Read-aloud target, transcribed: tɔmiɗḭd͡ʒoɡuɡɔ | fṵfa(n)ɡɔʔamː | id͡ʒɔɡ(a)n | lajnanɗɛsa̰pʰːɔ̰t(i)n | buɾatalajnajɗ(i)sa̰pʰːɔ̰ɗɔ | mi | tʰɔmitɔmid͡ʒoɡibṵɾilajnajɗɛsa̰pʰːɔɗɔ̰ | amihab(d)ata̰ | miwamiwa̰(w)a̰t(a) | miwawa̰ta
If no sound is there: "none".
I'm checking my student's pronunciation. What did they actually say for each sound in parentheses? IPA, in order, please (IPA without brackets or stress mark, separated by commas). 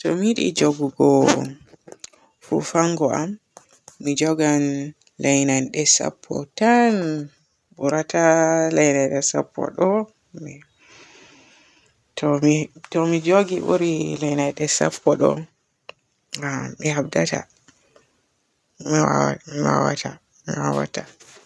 ŋ, a, a, ɛ, d, w, a